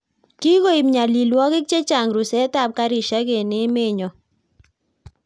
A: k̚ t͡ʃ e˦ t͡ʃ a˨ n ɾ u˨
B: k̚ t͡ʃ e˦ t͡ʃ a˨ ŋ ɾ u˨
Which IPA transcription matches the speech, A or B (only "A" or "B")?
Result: B